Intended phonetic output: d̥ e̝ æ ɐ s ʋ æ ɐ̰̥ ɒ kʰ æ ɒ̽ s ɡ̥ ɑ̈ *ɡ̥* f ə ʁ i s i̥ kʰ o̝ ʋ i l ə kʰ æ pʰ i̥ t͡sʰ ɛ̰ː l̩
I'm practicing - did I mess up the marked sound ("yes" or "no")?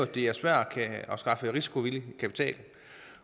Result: yes